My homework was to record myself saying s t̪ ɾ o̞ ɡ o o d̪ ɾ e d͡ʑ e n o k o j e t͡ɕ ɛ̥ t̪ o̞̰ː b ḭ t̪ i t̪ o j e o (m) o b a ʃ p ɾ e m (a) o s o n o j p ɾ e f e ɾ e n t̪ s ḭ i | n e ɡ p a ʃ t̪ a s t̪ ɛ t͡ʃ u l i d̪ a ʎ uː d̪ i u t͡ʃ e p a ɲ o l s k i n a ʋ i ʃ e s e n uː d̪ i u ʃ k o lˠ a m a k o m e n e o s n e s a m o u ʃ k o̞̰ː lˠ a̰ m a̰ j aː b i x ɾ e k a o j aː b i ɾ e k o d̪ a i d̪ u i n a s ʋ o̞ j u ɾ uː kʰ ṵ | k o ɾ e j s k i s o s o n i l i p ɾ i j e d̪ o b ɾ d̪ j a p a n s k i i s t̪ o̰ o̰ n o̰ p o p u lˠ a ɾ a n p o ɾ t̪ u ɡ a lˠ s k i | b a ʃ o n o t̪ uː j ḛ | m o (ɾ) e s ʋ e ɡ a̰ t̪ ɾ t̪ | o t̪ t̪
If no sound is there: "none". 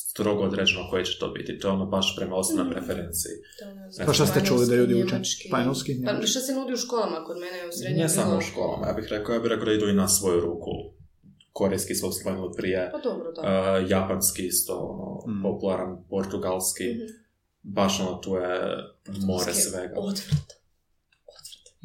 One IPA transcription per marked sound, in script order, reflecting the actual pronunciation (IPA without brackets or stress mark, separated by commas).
n, a, ɾ